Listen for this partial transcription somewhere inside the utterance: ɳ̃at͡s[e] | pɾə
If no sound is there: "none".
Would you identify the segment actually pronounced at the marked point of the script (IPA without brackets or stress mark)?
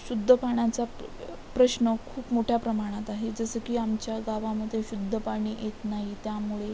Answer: a